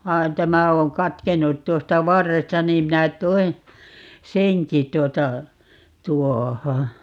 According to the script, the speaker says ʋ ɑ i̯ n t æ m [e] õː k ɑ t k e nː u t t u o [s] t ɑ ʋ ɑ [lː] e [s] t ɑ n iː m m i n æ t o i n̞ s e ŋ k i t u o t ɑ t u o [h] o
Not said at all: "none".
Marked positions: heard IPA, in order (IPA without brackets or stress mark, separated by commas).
æ, s, rː, s, h